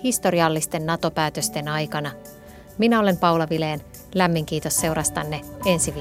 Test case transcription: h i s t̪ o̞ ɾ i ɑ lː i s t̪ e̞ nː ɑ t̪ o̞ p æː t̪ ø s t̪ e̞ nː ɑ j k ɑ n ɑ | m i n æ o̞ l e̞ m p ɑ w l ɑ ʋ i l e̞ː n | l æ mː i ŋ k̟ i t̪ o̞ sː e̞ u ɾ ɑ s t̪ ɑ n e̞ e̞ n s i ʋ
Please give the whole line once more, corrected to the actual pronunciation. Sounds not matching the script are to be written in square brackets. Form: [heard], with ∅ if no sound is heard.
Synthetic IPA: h i s t̪ o̞ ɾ i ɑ lː i s t̪ e̞ nː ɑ t̪ o̞ p æː t̪ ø s t̪ e̞ [n] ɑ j k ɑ n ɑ | m i n æ o̞ l e̞ m p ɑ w l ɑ ʋ i l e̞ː n | l æ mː i ŋ k̟ [iː] t̪ o̞ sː e̞ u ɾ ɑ s t̪ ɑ [nː] e̞ e̞ n s i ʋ